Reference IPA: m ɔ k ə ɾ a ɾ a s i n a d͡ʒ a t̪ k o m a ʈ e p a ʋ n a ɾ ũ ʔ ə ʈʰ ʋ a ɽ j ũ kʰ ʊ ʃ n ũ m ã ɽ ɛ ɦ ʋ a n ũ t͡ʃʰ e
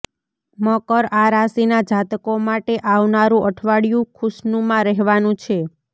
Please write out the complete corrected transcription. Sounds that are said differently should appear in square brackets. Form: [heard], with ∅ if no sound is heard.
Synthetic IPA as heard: m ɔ k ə ɾ a ɾ a s i n a d͡ʒ a t̪ k o m a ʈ e [ʔ] a ʋ n a ɾ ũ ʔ ə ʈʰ ʋ a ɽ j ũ kʰ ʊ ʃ n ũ m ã [ɾ] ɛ ɦ ʋ a n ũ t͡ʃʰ e